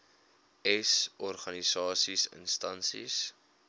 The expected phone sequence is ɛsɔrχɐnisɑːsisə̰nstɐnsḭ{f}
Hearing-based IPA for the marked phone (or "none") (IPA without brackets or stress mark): s